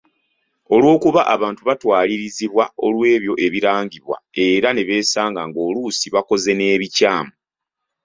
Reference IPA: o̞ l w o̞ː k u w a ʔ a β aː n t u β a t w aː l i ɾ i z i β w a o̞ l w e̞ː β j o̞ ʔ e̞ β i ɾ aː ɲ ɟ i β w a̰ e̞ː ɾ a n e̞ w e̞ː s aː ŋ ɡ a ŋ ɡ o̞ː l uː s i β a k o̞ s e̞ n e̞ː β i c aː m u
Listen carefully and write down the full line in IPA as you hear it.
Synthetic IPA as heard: o̞ l w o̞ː k u β a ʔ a β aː n t u β a t w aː l i ɾ i z i β w a o̞ l w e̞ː β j o̞ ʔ e̞ β i ɾ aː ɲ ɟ i β w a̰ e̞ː ɾ a n e̞ β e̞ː s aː ŋ ɡ a ŋ ɡ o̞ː l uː s i β a k o̞ z e̞ n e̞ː β i c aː m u